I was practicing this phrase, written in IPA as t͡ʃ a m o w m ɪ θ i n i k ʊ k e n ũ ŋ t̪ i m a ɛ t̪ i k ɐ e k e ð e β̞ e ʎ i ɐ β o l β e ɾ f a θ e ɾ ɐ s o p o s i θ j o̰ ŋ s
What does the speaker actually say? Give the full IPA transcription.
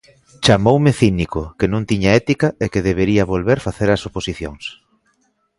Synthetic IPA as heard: t͡ʃ a m o w m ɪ θ i n i k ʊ k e n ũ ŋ t̪ i ɲ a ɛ t̪ i k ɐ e k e ð e β̞ e ɾ i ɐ β o l β e ɾ f a θ e ɾ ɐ s o p o s i θ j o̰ ŋ s